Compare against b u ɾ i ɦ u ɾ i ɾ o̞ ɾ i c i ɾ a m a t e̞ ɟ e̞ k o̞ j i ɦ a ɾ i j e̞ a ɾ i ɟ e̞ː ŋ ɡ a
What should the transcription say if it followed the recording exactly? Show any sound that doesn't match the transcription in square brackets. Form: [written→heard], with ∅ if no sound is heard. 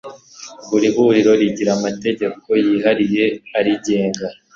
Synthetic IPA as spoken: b u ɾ i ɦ u ɾ i ɾ o̞ ɾ i [c→ɟ] i ɾ a m a t e̞ ɟ e̞ k o̞ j i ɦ a ɾ i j e̞ a ɾ i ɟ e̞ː ŋ ɡ a

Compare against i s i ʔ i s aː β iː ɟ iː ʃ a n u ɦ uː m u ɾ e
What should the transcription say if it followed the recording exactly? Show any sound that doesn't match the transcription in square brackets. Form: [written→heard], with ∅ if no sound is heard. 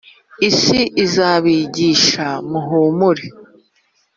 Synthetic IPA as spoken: i s i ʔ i [s→z] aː β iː ɟ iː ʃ a [n→m] u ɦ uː m u ɾ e

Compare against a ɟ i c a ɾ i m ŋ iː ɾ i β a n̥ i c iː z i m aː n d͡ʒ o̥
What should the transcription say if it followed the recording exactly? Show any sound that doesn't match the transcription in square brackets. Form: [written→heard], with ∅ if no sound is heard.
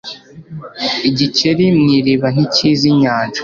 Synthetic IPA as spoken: [a→i] ɟ i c [a→e] ɾ i m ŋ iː ɾ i β a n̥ i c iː z i [m→ɲ] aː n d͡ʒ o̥

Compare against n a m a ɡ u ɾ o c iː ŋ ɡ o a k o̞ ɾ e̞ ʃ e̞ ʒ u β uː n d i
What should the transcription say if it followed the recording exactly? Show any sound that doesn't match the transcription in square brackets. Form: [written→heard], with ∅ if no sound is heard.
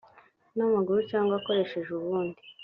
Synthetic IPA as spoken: n a m a ɡ u ɾ [o→u] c [iː→aː] ŋ ɡ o a k o̞ ɾ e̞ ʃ e̞ ʒ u β uː n d i

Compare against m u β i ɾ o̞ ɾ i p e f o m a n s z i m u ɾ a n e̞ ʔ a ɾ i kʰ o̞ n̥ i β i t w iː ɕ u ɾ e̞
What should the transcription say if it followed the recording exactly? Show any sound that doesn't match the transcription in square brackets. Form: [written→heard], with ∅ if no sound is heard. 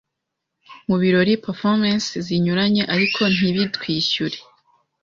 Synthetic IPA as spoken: m u β i ɾ o̞ ɾ i p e f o m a n s z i [m→ɲ] u ɾ a [n→ɲ] e̞ ʔ a ɾ i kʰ o̞ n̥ i β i t w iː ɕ u ɾ e̞

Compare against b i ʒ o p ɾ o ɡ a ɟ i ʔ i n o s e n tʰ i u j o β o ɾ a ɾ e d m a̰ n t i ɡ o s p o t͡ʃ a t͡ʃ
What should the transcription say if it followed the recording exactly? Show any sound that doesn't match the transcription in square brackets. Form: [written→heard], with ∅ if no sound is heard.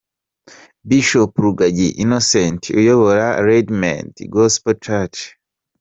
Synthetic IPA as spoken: b i [ʒ→ʃ] o p ɾ [o→u] ɡ a ɟ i ʔ i n o s e n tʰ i u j o β o ɾ a ɾ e d m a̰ n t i ɡ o s p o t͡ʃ a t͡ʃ

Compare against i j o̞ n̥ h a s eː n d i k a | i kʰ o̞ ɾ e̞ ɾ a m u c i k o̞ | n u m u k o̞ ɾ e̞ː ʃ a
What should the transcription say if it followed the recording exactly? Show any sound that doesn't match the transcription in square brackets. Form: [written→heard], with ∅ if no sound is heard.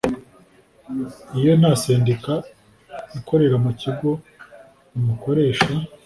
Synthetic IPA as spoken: i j o̞ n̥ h a s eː n d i k a | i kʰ o̞ ɾ e̞ ɾ a m u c i [k→ɡ] o̞ | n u m u k o̞ ɾ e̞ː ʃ a

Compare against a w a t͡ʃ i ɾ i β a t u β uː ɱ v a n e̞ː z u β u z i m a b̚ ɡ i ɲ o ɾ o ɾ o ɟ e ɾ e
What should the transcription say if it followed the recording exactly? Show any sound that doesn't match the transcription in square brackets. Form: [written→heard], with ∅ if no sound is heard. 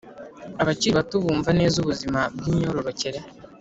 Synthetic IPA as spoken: a [w→β] a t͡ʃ i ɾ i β a t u β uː ɱ v a n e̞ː z u β u z i m a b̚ ɡ i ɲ o ɾ o ɾ o [ɟ→c] e ɾ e

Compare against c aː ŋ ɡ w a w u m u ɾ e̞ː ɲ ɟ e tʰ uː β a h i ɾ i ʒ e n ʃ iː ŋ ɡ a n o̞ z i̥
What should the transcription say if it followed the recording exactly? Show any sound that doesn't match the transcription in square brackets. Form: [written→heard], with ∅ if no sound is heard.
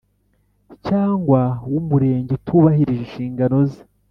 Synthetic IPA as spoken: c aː ŋ ɡ w a w u m u ɾ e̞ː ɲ ɟ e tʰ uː β a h i ɾ i ʒ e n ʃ iː ŋ ɡ a n o̞ z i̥

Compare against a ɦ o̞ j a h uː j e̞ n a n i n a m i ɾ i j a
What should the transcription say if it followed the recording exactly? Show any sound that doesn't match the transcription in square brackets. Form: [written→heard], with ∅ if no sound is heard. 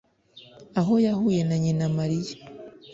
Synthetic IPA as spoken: a ɦ o̞ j a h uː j e̞ n a [n→ɲ] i n a m [i→a] ɾ i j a

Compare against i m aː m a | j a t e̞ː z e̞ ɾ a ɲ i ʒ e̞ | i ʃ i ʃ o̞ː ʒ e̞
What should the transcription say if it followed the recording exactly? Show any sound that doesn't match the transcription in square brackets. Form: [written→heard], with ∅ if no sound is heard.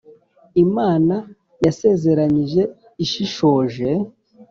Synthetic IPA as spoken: i m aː [m→n] a | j a [t→s] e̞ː z e̞ ɾ a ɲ i ʒ e̞ | i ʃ i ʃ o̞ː ʒ e̞

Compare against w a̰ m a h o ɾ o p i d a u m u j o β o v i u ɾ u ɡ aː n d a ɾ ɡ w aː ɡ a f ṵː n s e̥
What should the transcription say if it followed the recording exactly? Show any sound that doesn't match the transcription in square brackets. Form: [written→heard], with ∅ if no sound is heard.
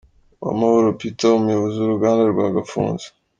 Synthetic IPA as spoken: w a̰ m a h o ɾ o p i [d→t] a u m u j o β o [v→z] i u ɾ u ɡ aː n d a ɾ ɡ w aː ɡ a f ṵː n [s→z] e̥

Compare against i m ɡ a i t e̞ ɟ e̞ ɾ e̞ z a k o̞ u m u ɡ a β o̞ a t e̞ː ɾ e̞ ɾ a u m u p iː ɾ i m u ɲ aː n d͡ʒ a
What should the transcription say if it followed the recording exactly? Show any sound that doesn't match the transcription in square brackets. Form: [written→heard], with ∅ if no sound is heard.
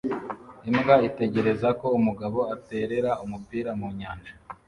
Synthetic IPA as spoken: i m ɡ a i t e̞ ɟ e̞ ɾ e̞ z a k o̞ u m u ɡ a β o̞ a t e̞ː ɾ e̞ ɾ a u m u p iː ɾ [i→a] m u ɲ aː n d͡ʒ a

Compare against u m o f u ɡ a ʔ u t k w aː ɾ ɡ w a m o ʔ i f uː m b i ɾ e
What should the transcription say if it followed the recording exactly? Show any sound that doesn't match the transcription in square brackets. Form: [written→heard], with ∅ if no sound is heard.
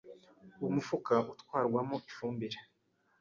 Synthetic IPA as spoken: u m [o→u] f u [ɡ→k] a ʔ u t k w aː ɾ ɡ w a m o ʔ i f uː m b i ɾ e

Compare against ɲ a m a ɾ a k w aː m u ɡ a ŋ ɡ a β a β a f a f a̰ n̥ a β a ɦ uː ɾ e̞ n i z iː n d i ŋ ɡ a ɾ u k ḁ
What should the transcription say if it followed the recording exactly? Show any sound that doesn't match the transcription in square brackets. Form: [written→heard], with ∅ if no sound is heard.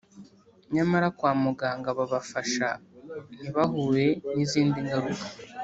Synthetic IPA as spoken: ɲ a m a ɾ a k w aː m u ɡ a ŋ ɡ a β a β a f a [f→ʃ] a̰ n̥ [a→i] β a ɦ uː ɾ e̞ n i z iː n d i ŋ ɡ a ɾ u k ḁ

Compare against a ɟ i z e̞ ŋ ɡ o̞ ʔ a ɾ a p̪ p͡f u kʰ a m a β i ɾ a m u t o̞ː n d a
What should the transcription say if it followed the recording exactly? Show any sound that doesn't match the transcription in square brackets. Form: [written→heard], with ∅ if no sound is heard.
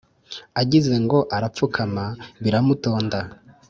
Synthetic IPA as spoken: a ɟ i z e̞ ŋ ɡ o̞ ʔ a ɾ a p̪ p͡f u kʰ a m a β i ɾ a m u t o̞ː n d a

